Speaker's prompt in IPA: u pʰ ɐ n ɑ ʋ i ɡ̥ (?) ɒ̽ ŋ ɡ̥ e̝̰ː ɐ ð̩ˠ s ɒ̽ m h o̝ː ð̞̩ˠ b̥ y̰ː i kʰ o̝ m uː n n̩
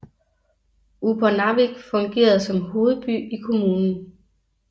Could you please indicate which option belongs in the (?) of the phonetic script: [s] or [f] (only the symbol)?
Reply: f